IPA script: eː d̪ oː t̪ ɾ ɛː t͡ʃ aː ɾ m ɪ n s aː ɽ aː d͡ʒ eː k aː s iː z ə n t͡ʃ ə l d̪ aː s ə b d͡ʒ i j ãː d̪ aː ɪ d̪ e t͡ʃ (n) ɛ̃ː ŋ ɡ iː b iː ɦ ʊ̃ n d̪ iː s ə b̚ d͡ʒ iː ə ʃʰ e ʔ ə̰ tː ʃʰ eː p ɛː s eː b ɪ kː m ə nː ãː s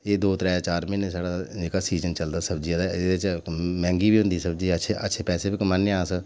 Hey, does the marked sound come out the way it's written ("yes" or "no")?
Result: no